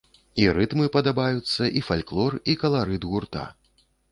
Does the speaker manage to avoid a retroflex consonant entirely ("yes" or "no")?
yes